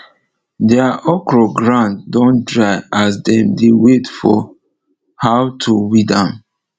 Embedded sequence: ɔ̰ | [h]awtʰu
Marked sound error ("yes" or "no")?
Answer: no